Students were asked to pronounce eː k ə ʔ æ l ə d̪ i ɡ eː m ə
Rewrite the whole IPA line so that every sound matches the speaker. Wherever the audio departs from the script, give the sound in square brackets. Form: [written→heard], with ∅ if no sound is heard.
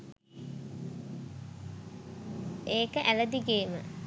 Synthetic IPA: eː k ə ʔ æ l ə d̪ i ɡ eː m ə